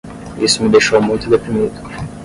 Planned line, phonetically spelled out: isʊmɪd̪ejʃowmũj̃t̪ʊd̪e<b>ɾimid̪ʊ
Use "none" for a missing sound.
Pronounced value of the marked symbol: p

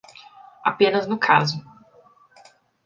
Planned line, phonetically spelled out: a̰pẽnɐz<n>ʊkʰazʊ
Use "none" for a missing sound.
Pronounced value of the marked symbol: n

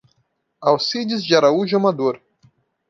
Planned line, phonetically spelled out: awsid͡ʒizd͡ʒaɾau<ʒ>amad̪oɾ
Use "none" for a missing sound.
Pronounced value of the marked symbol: ʒ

